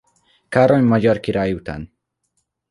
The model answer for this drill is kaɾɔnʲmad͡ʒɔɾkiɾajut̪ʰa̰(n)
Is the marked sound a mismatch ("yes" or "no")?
no